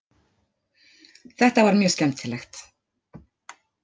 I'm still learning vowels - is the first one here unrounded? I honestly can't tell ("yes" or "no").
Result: yes